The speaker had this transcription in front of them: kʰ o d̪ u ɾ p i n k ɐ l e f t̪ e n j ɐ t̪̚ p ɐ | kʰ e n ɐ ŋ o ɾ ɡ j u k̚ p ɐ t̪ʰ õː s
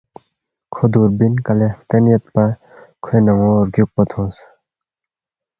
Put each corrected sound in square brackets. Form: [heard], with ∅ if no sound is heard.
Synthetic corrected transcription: kʰ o d̪ u ɾ [b] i n k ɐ l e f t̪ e n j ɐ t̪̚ p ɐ | kʰ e n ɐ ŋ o ɾ ɡ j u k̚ p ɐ t̪ʰ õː s